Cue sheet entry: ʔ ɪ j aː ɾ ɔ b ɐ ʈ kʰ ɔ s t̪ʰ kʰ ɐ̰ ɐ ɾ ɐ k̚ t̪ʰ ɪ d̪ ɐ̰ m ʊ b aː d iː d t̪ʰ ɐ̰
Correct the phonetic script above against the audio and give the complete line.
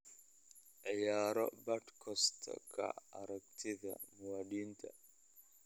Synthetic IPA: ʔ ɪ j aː ɾ ɔ b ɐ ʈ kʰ ɔ s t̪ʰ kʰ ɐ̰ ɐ ɾ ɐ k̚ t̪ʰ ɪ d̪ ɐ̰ m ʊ w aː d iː n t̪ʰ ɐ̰